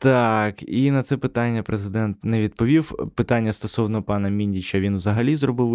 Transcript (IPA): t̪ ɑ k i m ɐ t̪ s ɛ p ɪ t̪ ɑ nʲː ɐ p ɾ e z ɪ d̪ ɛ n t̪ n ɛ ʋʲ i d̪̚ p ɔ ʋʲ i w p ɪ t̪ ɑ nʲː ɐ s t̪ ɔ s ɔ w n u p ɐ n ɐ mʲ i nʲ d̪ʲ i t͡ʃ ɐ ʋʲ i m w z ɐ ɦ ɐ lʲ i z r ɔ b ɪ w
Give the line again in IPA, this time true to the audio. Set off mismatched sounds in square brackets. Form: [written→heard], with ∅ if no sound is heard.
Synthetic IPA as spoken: t̪ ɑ k i [m→n] ɐ t̪ s ɛ p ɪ t̪ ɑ nʲː ɐ p ɾ e z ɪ d̪ ɛ n t̪ n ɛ ʋʲ i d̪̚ p ɔ ʋʲ i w p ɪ t̪ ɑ nʲː ɐ s t̪ ɔ s ɔ w n [u→ɔ] p [ɐ→ɑ] n ɐ mʲ i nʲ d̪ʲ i t͡ʃ ɐ ʋʲ i [m→n] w z ɐ ɦ ɐ lʲ i z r ɔ b ɪ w